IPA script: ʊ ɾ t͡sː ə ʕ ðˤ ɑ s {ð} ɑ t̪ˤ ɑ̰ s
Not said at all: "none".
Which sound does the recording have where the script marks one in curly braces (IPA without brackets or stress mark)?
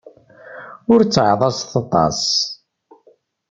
θ